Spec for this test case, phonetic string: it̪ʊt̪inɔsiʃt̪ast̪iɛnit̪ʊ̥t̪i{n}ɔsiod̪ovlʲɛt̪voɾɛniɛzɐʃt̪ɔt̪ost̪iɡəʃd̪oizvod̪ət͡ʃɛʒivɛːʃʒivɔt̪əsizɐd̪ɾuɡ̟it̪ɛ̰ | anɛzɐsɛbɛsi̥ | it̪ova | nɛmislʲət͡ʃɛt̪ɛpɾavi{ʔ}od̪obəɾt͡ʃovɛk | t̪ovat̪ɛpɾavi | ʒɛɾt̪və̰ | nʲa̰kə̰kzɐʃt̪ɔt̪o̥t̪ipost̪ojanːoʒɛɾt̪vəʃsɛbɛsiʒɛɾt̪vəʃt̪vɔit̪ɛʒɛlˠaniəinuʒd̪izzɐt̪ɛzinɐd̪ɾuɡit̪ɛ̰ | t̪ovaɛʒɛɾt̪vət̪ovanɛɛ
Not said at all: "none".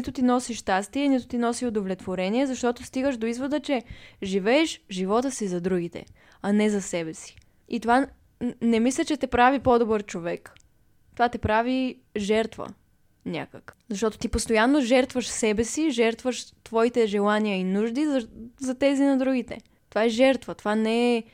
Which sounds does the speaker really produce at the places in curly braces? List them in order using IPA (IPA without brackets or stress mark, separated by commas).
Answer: n, p